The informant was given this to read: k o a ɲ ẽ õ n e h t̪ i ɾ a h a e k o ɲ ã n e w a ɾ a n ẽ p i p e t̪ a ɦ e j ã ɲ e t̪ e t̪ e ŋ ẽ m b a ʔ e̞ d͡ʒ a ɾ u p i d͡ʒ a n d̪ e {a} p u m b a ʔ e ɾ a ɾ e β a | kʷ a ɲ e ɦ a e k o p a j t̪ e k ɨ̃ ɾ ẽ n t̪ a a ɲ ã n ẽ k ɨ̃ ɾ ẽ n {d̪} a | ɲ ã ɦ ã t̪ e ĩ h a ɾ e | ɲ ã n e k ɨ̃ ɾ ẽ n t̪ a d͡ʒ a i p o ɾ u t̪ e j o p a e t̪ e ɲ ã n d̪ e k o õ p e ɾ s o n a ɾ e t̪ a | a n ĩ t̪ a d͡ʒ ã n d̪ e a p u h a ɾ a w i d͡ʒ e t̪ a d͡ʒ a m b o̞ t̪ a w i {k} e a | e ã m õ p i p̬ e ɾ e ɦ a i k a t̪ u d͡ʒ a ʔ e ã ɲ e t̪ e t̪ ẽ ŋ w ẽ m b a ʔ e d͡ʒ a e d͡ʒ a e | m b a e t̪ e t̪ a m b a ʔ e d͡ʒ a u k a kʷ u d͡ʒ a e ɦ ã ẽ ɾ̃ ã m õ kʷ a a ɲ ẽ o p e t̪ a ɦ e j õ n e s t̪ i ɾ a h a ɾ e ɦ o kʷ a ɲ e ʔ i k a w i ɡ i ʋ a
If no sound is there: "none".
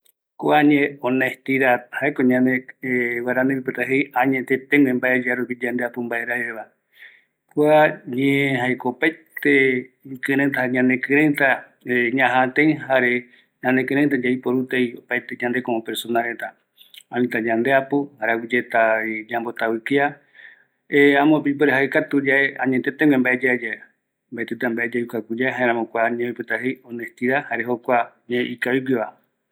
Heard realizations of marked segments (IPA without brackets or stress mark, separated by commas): a, t̪, k